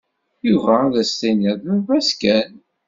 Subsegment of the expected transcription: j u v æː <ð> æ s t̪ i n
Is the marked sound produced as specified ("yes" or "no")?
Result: yes